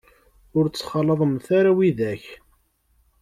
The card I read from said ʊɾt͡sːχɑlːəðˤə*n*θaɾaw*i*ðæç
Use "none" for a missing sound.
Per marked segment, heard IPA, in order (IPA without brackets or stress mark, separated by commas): m, i